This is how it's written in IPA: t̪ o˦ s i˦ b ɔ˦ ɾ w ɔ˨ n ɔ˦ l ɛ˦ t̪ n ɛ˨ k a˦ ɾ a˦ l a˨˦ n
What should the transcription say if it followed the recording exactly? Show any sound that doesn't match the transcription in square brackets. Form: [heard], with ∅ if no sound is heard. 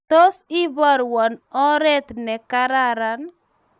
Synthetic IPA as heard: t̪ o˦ s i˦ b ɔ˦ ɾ w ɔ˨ n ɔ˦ [ɾ] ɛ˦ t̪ n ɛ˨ k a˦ ɾ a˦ [ɾ] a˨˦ n

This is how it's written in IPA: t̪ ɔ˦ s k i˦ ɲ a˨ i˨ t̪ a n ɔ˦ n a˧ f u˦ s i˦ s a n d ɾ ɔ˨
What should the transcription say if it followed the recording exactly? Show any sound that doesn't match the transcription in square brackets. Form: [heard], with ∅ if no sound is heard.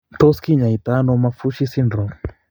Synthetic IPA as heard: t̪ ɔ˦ s k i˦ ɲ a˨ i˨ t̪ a n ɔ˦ [m] a˧ f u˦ [ʃ] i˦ s [i] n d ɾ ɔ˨

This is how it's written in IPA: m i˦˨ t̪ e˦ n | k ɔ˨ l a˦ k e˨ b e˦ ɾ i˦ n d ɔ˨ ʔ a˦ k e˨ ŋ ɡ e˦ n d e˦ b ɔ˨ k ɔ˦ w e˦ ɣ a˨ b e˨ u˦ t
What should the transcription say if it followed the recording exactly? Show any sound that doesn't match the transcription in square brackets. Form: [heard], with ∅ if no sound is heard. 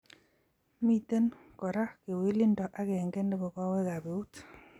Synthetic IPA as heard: m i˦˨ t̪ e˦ n | k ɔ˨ [ɾ] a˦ k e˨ [w] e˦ [l] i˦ n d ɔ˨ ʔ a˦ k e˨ ŋ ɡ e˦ n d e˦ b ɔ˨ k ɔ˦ w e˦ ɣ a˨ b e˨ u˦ t

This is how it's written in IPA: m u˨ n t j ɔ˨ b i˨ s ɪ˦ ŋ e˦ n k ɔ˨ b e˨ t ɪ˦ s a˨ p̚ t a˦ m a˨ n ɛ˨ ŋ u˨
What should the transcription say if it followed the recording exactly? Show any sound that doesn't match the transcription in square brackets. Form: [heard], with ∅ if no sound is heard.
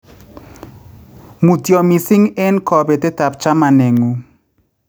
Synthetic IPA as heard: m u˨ [∅] t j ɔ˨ [m] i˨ s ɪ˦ ŋ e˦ n k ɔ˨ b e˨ t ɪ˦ [t] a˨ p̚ [t͡ʃ] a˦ m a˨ n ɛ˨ ŋ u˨

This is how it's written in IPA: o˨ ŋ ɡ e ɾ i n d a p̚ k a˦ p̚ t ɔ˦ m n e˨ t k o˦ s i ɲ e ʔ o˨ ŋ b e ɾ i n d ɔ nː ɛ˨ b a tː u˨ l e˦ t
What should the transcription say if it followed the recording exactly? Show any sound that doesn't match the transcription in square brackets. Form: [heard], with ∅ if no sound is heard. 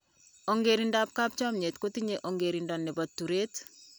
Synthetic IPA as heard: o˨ ŋ ɡ e ɾ i n d a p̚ k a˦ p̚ [t͡ʃ] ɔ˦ m [ɲ] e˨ t k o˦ [t] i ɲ e ʔ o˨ ŋ [ɡ] e ɾ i n d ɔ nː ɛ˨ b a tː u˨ [ɾ] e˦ t

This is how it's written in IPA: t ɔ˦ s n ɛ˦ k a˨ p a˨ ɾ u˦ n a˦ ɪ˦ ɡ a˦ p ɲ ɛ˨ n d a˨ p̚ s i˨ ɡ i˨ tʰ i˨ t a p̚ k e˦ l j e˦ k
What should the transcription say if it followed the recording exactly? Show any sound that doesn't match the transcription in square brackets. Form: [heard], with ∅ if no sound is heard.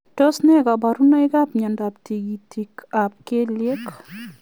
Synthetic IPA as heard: t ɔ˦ s n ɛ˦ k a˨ [b] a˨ ɾ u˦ n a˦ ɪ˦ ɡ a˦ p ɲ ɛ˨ n d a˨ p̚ [t] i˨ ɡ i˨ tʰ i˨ [k] a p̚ k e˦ l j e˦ k

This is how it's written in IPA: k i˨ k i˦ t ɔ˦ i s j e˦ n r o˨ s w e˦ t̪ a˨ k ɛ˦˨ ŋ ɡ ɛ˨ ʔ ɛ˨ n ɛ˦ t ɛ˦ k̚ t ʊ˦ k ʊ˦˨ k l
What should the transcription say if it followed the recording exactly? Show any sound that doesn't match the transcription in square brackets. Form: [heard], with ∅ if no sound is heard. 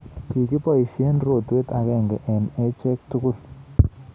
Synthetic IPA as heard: k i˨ k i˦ [p] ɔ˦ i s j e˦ n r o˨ [t] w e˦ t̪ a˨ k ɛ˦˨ ŋ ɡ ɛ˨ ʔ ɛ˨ n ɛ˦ [t͡ʃ] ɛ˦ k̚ t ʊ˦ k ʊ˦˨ [∅] l

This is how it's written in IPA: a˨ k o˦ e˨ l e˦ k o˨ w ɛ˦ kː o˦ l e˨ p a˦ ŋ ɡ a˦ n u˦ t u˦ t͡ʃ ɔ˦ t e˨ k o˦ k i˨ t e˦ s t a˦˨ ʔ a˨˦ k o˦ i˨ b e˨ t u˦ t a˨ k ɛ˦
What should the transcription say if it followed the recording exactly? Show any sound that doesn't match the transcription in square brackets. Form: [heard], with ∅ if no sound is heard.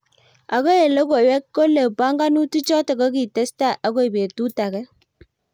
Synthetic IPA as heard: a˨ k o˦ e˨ l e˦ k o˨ w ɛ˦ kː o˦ l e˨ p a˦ ŋ ɡ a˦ n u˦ t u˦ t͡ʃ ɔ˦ t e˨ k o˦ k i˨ t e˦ s t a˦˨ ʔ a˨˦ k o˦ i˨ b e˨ t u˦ t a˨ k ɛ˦

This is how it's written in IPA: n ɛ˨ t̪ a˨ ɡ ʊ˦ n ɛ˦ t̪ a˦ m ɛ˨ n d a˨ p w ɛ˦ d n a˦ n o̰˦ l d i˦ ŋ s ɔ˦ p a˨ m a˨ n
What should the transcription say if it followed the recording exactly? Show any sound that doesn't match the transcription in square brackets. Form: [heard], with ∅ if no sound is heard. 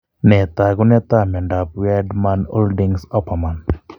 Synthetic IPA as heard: n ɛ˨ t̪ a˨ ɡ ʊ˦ n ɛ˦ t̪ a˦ m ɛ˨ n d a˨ p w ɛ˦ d [m] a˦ n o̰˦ l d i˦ ŋ s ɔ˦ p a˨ m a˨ n

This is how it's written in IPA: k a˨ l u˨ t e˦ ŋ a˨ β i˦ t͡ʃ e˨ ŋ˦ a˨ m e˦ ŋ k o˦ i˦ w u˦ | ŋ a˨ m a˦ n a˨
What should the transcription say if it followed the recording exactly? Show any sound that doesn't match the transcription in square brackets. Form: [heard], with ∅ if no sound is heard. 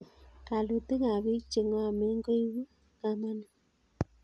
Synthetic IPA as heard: k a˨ l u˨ t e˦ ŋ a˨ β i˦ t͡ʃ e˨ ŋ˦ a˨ m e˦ ŋ [ɡ] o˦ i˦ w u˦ | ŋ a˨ m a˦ n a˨

